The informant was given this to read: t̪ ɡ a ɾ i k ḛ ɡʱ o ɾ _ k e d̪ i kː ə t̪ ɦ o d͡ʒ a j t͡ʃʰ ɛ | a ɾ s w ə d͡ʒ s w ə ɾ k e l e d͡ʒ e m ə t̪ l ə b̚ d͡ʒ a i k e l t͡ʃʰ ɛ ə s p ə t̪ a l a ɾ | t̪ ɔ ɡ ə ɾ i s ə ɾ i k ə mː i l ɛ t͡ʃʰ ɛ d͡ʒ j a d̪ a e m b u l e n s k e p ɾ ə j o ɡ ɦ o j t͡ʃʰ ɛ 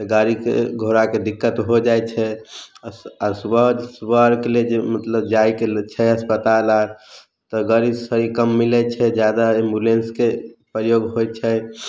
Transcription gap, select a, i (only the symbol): a